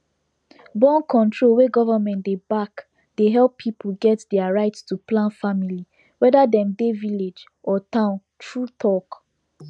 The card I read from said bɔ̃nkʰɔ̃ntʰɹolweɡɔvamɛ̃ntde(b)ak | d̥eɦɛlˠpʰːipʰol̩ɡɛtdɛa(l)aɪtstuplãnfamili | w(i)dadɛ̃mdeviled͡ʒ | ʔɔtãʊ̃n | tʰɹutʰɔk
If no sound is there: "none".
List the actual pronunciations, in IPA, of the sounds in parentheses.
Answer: b, ɹ, ɛ

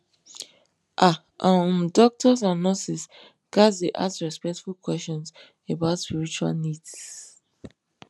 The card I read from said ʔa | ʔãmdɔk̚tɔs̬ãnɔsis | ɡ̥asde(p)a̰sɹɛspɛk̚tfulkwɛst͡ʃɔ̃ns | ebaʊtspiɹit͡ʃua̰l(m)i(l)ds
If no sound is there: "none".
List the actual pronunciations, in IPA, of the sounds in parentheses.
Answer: ʔ, n, none

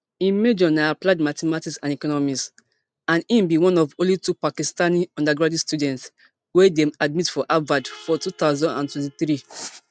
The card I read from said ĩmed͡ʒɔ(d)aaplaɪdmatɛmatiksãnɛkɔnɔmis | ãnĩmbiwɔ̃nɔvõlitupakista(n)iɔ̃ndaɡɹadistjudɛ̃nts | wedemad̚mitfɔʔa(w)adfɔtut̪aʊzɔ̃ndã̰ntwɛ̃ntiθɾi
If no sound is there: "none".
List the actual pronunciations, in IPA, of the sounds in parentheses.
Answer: n, n, v

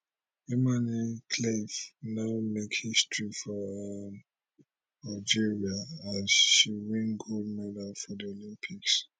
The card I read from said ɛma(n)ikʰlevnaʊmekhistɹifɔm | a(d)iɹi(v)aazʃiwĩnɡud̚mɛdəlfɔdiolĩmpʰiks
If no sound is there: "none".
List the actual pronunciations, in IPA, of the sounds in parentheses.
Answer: n, d͡ʒ, none

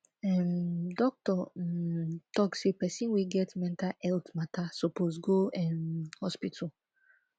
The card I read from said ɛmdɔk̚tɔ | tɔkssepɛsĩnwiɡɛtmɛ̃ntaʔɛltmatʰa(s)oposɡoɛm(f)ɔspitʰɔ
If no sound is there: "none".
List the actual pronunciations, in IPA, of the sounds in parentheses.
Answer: s, h

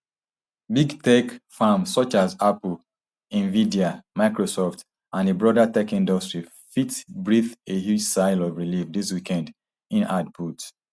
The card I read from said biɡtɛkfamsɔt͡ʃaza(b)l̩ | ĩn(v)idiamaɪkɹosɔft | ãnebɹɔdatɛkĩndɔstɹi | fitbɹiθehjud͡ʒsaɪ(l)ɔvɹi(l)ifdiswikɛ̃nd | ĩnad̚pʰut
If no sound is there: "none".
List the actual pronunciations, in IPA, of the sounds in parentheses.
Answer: p, v, l, l

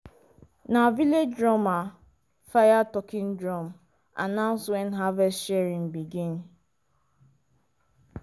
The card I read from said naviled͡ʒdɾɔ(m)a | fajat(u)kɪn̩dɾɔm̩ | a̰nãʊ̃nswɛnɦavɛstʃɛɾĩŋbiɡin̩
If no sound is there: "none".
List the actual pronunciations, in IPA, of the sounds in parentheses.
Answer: m, ɔ

